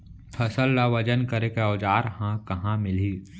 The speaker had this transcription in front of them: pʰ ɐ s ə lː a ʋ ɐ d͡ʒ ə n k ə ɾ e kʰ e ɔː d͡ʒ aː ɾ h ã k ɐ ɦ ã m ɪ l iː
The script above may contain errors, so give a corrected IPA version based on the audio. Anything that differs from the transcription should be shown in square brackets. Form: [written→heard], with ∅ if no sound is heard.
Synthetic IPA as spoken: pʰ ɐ s ə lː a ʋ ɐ d͡ʒ ə n k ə ɾ e [kʰ→k] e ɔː d͡ʒ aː ɾ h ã k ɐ ɦ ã m ɪ l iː